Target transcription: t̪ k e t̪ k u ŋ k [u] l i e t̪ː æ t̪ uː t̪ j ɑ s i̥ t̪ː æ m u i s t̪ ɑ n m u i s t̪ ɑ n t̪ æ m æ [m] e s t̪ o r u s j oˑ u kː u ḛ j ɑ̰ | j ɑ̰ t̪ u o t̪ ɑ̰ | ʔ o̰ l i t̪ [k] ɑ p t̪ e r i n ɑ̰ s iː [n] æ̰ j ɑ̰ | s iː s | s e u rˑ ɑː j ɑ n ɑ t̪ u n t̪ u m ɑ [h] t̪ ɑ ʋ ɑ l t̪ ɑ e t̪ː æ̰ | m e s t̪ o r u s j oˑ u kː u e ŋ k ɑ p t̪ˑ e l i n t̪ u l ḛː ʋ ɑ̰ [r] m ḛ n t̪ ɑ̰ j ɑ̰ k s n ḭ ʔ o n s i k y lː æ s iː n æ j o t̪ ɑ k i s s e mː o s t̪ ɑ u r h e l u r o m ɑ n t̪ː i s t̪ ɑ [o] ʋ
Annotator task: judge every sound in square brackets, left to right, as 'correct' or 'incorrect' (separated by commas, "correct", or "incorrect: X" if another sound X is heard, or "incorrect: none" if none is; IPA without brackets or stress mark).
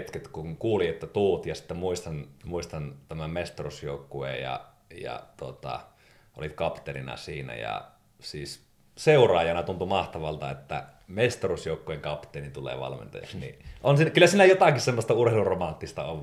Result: incorrect: uː, correct, correct, correct, correct, incorrect: l, correct